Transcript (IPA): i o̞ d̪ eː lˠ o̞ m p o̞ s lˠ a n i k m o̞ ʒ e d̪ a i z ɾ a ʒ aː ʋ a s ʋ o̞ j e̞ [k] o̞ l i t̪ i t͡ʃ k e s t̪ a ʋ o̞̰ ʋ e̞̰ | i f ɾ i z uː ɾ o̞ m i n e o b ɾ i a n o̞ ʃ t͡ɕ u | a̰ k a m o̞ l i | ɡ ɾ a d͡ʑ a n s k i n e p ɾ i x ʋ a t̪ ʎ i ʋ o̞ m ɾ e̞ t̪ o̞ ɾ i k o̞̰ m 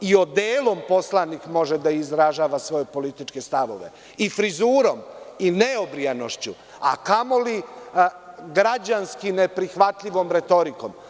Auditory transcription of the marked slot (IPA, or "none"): p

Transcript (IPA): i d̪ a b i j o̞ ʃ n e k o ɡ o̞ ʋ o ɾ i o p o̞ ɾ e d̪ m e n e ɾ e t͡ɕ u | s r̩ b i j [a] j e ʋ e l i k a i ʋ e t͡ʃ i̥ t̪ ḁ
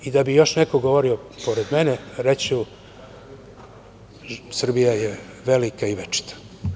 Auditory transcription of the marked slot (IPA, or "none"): a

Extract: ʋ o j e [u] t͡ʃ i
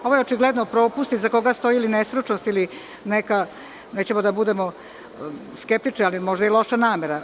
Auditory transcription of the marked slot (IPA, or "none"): o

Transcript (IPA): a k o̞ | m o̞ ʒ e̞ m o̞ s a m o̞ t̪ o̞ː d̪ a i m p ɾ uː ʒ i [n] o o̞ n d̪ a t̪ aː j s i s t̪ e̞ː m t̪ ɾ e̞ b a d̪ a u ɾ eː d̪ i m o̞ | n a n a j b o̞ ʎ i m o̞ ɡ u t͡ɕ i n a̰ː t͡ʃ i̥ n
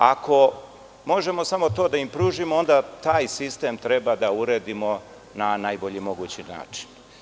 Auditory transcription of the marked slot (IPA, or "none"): m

